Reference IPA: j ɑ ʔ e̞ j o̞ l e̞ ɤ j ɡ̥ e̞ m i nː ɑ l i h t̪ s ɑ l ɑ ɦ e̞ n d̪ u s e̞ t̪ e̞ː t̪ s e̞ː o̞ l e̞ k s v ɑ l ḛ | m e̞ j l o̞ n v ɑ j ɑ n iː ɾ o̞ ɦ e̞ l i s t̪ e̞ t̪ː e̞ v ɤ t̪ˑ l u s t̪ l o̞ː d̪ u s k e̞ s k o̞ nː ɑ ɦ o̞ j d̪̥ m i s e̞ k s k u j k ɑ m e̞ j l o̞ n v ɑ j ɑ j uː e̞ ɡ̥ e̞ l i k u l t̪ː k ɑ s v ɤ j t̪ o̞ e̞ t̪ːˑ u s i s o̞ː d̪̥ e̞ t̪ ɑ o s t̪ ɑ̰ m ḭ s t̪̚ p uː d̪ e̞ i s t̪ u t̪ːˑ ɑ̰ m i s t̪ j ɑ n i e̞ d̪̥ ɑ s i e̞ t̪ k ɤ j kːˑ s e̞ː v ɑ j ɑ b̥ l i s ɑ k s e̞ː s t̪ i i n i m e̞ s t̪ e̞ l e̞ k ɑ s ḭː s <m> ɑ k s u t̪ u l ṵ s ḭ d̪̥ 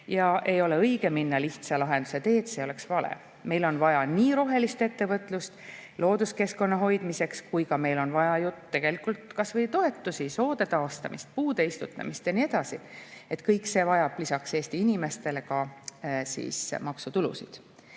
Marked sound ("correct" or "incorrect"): correct